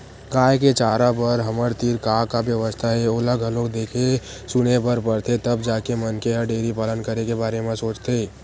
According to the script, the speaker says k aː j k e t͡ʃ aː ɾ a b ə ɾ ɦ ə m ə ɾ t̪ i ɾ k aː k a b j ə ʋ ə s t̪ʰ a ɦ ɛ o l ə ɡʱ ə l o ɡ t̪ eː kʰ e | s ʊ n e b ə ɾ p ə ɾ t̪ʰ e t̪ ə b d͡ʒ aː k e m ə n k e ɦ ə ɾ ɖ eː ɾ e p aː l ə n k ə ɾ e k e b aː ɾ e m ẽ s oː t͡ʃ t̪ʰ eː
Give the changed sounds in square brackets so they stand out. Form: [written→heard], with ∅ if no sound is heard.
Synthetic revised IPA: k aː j k e t͡ʃ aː ɾ a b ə ɾ ɦ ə m ə ɾ t̪ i ɾ k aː k a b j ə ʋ ə s t̪ʰ a ɦ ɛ o l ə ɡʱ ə l o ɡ [t̪→d̪] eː kʰ e | s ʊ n e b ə ɾ p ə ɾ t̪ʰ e t̪ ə b d͡ʒ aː k e m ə n k e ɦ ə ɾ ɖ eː ɾ [e→i] p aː l ə n k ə ɾ e k e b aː ɾ e m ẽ s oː t͡ʃ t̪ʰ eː

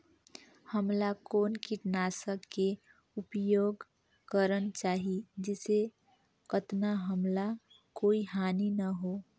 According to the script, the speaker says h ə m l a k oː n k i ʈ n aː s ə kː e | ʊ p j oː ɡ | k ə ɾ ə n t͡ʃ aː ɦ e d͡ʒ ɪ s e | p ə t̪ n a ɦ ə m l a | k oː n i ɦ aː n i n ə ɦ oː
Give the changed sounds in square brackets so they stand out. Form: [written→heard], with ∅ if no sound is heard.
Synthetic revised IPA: h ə m l a k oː n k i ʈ n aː s ə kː e | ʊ p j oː ɡ | k ə ɾ ə n t͡ʃ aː ɦ [e→i] d͡ʒ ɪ s e | [p→k] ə t̪ n a ɦ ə m l a | k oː [n→∅] i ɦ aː n i n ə ɦ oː

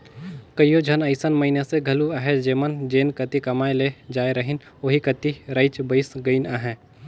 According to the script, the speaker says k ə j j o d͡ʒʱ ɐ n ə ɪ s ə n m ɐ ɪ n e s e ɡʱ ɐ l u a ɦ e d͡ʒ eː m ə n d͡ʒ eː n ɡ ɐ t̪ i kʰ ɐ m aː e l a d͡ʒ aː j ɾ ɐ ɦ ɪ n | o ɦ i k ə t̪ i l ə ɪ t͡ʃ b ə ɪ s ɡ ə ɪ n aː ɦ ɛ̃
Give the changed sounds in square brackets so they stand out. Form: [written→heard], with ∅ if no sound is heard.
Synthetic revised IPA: k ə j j o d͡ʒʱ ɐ n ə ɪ s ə n m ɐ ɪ n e s e ɡʱ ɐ l u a ɦ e d͡ʒ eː m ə n d͡ʒ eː n [ɡ→k] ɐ t̪ i [kʰ→k] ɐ m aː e l [a→e] d͡ʒ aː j ɾ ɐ ɦ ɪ n | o ɦ i k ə t̪ i [l→ɾ] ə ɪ t͡ʃ b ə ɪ s ɡ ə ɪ n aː ɦ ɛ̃

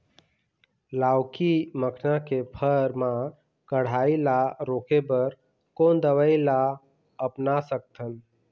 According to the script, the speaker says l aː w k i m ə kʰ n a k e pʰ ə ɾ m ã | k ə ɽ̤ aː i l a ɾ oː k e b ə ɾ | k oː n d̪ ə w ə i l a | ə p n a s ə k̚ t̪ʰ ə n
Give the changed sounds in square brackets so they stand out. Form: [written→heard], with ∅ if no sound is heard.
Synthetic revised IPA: l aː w k i m ə kʰ n a k e pʰ ə ɾ m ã | k ə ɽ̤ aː i l a ɾ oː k e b ə ɾ | k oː n d̪ ə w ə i l a | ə p n a s ə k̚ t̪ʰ ə n

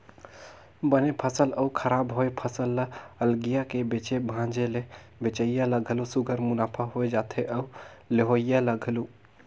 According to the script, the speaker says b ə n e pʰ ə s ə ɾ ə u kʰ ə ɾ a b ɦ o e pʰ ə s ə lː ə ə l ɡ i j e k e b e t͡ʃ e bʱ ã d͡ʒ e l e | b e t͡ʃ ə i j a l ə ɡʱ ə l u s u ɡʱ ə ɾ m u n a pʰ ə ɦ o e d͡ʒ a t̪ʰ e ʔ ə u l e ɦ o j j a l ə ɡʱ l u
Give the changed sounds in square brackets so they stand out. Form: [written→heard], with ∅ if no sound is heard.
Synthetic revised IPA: b ə n e pʰ ə s ə [ɾ→l] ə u kʰ ə ɾ a b ɦ o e pʰ ə s ə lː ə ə l ɡ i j [e→a] k e b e t͡ʃ e bʱ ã d͡ʒ e l e | b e t͡ʃ ə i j a l ə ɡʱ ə l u s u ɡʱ ə ɾ m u n a pʰ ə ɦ o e d͡ʒ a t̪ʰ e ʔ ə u l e ɦ o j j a l ə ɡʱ l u

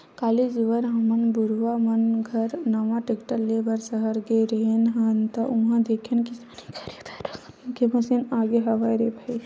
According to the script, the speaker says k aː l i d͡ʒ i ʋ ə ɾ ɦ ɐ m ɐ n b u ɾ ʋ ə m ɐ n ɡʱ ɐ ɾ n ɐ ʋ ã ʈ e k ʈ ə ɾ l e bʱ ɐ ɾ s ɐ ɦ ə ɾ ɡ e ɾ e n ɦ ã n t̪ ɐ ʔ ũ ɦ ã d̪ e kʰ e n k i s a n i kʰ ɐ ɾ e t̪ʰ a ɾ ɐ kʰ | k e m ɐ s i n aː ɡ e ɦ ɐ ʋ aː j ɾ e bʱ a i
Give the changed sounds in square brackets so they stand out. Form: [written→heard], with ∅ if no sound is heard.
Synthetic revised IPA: k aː l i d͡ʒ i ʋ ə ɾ ɦ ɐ m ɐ n b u ɾ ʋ [ə→a] m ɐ n ɡʱ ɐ ɾ n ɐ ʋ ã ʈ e k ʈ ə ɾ l e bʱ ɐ ɾ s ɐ ɦ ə ɾ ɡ e ɾ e n ɦ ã n t̪ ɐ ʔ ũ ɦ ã d̪ e kʰ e n k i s a n i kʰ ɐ ɾ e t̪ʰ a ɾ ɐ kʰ | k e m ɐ s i n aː ɡ e ɦ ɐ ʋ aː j ɾ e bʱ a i

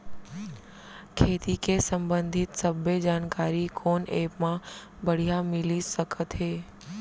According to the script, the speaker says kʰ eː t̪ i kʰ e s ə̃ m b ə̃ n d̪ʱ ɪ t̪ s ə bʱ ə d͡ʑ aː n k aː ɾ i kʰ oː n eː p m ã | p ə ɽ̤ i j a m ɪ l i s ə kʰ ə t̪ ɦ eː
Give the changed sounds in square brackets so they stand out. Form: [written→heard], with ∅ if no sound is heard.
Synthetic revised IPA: kʰ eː t̪ i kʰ e s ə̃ m b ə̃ n d̪ʱ ɪ t̪ s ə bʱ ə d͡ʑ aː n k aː ɾ i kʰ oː n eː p m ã | [p→b] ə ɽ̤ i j a m ɪ l i s ə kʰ ə t̪ ɦ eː

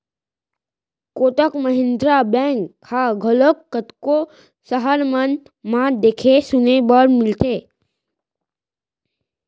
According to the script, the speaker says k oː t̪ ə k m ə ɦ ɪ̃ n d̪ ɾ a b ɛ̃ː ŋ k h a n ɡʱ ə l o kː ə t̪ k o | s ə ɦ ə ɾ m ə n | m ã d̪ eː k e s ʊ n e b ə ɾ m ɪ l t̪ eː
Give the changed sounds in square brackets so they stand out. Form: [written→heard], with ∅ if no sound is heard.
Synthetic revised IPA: k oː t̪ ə k m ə ɦ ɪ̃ n d̪ ɾ a b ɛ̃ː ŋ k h a [n→∅] ɡʱ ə l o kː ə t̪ k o | s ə ɦ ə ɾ m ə n | m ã d̪ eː [k→kʰ] e s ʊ n e b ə ɾ m ɪ l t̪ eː

